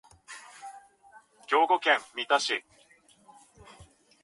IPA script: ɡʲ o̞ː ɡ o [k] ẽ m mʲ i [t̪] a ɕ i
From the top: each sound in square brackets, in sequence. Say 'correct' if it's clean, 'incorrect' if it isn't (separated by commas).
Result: correct, correct